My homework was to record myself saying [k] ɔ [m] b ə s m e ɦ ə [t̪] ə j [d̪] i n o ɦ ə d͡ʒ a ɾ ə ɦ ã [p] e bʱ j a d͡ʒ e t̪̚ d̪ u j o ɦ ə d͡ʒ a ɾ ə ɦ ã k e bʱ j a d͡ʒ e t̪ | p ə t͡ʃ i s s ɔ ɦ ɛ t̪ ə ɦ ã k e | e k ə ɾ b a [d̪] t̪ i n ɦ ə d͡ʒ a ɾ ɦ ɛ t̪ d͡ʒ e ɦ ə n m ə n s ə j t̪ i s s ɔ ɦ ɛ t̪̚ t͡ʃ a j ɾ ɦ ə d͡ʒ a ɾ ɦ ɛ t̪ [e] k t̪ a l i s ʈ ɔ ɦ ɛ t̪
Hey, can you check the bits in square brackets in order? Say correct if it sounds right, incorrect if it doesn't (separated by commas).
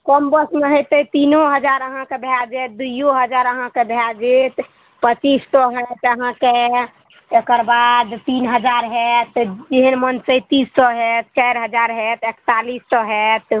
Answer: correct, correct, correct, incorrect, incorrect, correct, correct